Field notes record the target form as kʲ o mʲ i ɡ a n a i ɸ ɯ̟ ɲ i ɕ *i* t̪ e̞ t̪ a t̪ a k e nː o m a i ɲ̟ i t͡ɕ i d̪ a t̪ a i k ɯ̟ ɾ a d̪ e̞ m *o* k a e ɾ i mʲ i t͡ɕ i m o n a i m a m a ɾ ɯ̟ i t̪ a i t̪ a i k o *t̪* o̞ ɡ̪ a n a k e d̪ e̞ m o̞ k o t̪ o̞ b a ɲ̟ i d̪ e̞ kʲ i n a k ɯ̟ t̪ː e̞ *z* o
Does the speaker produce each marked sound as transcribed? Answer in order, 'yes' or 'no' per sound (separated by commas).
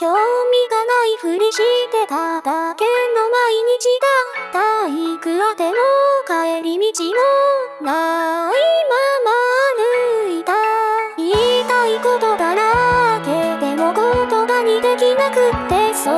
yes, yes, yes, no